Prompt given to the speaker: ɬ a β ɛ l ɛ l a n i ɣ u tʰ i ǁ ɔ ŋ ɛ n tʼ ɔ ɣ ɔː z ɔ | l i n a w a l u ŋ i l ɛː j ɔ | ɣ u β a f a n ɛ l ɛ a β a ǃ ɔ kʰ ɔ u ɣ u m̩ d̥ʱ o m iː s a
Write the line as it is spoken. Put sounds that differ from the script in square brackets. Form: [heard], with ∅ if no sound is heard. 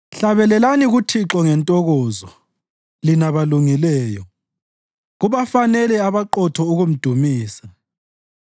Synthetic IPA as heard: ɬ a β ɛ l ɛ l a n i ɣ u tʰ i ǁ ɔ ŋ ɛ n tʼ ɔ ɣ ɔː z ɔ | l i n a [β] a l u ŋ i l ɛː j ɔ | ɣ u β a f a n ɛ l ɛ a β a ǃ ɔ [tʰ] ɔ u ɣ u m̩ d̥ʱ [u] m iː s a